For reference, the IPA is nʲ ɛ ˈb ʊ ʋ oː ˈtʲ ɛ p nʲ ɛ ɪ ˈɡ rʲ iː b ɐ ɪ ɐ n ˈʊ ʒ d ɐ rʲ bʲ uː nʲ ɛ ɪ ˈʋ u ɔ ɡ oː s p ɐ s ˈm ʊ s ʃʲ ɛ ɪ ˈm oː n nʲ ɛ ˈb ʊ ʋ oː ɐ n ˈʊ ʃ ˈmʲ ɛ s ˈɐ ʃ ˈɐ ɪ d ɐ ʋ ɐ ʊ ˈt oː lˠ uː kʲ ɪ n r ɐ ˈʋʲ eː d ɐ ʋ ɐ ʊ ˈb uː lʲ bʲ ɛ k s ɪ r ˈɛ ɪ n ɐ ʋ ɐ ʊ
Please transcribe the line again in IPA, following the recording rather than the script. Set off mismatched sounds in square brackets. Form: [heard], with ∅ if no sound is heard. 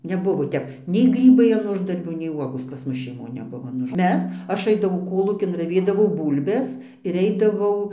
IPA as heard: nʲ ɛ ˈb ʊ ʋ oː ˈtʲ ɛ p nʲ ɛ ɪ ˈɡ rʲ iː b ɐ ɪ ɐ n ˈʊ ʒ d ɐ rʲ bʲ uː nʲ ɛ ɪ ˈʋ u ɔ ɡ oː s p ɐ s ˈm ʊ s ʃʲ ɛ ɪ ˈm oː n nʲ ɛ ˈb ʊ ʋ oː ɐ n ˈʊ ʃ ˈmʲ ɛ s ˈɐ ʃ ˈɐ ɪ d ɐ ʋ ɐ ʊ [ˈk] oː lˠ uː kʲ ɪ n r ɐ ˈʋʲ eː d ɐ ʋ ɐ ʊ ˈb uː lʲ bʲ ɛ [∅] s ɪ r ˈɛ ɪ [d] ɐ ʋ ɐ ʊ

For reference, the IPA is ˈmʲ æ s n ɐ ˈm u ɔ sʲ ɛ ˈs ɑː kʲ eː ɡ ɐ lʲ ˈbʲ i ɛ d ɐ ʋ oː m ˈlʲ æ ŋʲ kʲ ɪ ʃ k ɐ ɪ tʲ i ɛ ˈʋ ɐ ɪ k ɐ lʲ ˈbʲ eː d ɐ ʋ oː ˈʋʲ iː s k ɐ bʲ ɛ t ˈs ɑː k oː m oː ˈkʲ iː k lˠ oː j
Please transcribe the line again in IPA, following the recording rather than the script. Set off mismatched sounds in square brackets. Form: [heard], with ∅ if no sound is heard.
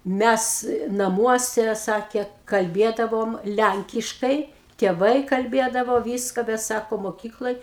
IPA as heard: ˈmʲ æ s n ɐ ˈm u ɔ sʲ ɛ ˈs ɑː kʲ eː [k] ɐ lʲ ˈbʲ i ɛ d ɐ ʋ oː m ˈlʲ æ ŋʲ kʲ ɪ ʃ k ɐ ɪ tʲ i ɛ ˈʋ ɐ ɪ k ɐ lʲ ˈbʲ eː d ɐ ʋ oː ˈʋʲ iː s k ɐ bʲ ɛ t ˈs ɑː k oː m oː ˈkʲ iː k lˠ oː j

